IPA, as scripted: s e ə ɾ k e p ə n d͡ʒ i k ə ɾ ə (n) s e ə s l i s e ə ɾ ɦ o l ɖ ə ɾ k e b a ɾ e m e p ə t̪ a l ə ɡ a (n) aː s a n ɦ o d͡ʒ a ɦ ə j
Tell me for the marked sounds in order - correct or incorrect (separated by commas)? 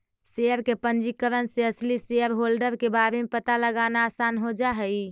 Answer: correct, correct